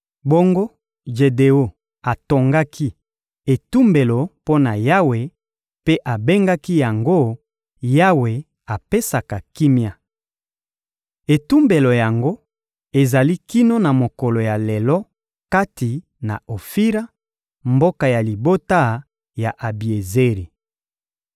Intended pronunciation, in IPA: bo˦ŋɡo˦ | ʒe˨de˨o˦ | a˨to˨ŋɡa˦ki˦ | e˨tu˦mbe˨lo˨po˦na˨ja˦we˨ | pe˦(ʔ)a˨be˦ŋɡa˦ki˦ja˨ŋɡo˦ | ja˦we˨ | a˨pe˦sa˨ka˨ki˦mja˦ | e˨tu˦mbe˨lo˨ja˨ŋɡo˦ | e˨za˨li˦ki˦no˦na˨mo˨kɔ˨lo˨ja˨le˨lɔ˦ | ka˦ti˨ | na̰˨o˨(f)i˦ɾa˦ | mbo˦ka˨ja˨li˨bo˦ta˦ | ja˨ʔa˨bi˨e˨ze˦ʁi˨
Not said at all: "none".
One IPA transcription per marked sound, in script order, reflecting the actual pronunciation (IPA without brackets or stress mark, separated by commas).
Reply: ʔ, f